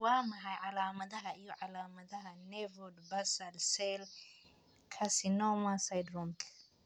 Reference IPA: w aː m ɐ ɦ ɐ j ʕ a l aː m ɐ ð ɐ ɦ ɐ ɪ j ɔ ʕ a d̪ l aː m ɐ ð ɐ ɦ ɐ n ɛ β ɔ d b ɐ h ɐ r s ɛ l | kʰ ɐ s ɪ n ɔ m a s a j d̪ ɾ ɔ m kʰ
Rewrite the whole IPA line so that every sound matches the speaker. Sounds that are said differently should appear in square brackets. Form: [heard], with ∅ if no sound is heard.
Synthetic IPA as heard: w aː m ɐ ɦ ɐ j ʕ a l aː m ɐ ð ɐ ɦ ɐ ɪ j ɔ ʕ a [∅] l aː m ɐ ð ɐ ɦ ɐ n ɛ [v] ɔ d b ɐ [s] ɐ [l] s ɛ l | kʰ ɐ s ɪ n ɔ m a s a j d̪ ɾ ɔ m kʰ

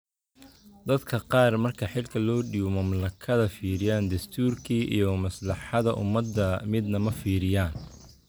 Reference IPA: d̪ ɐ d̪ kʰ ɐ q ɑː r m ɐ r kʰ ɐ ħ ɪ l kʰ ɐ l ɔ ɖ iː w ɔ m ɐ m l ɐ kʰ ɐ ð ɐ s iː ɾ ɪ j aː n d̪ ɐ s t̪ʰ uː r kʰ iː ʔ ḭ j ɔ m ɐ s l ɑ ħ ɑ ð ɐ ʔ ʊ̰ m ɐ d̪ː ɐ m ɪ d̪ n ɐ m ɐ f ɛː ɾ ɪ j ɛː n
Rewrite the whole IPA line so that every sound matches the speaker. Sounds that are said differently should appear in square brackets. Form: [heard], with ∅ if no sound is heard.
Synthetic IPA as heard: d̪ ɐ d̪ kʰ ɐ q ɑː r m ɐ r kʰ ɐ ħ ɪ l kʰ ɐ l [ɔː] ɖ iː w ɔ m ɐ m l ɐ kʰ ɐ ð ɐ [f] iː ɾ ɪ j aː n d̪ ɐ s t̪ʰ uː r kʰ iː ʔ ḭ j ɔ m ɐ s l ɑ ħ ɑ ð ɐ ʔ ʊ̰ m ɐ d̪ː ɐ m ɪ d̪ n ɐ m ɐ f [iː] ɾ ɪ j [aː] n

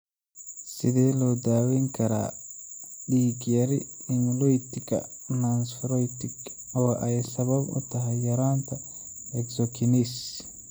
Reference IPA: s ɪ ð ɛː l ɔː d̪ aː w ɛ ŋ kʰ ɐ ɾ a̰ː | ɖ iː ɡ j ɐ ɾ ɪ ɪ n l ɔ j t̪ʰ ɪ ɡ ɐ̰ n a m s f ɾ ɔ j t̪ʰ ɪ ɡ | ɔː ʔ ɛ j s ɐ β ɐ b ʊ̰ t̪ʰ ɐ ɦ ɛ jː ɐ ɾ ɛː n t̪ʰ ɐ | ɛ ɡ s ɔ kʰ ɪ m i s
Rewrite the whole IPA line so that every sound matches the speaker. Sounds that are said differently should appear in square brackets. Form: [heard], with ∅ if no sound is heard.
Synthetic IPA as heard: s ɪ ð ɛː l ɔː d̪ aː w ɛ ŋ kʰ ɐ ɾ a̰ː | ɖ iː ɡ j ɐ ɾ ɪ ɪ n l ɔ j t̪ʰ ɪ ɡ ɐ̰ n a [n] s f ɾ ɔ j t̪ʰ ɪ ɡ | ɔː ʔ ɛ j s ɐ β ɐ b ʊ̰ t̪ʰ ɐ ɦ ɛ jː ɐ ɾ [aː] n t̪ʰ ɐ | ɛ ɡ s ɔ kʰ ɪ [n] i s

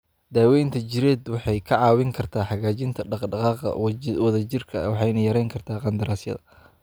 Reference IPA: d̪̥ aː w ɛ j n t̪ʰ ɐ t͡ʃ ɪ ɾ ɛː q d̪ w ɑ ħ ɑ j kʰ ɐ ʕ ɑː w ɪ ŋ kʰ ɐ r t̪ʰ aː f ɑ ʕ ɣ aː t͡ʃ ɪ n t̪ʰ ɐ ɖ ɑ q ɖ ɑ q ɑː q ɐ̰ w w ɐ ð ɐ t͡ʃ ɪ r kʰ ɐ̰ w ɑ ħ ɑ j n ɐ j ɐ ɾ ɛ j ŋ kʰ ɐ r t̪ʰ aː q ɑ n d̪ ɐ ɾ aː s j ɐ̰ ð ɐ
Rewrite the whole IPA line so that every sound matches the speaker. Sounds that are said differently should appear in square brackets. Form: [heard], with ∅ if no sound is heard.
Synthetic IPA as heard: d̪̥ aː w ɛ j n t̪ʰ ɐ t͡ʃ ɪ ɾ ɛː [∅] d̪ w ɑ ħ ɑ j kʰ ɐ ʕ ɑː w ɪ ŋ kʰ ɐ r t̪ʰ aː [ħ] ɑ [∅] ɣ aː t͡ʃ ɪ n t̪ʰ ɐ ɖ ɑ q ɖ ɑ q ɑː q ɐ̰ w w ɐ ð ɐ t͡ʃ ɪ r kʰ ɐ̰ w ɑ ħ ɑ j n ɐ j ɐ ɾ ɛ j ŋ kʰ ɐ r t̪ʰ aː q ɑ n d̪ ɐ ɾ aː s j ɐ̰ ð ɐ

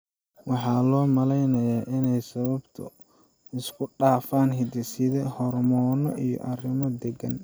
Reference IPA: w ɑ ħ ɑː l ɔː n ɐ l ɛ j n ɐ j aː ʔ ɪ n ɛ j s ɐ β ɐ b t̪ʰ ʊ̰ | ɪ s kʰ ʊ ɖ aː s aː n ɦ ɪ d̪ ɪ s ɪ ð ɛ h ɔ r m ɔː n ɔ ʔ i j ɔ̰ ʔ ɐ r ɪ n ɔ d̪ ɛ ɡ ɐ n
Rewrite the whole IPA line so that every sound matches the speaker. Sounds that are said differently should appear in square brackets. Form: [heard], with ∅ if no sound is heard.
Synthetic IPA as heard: w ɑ ħ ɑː l ɔː [m] ɐ l ɛ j n ɐ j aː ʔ ɪ n ɛ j s ɐ β ɐ b t̪ʰ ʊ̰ | ɪ s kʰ ʊ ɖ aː [f] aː n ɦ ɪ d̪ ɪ s ɪ ð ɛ h ɔ r m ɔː n ɔ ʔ i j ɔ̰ ʔ ɐ r ɪ [m] ɔ d̪ ɛ ɡ ɐ n

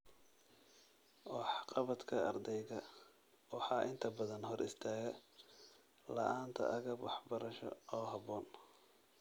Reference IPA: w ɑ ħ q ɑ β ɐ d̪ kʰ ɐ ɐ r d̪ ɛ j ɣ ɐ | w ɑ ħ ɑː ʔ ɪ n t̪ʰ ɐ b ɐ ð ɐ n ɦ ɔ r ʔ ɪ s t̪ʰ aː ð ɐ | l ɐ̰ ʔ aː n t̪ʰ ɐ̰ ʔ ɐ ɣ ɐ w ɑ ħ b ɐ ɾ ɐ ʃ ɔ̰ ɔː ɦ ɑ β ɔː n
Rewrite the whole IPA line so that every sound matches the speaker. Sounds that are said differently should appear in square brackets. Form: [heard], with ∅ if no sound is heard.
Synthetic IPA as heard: w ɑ ħ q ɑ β ɐ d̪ kʰ ɐ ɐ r d̪ ɛ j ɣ ɐ | w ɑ ħ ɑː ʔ ɪ n t̪ʰ ɐ b ɐ ð ɐ n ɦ ɔ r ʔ ɪ s t̪ʰ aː [ɣ] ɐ | l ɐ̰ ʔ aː n t̪ʰ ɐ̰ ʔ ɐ ɣ ɐ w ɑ ħ b ɐ ɾ ɐ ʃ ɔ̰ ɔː ɦ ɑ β ɔː n

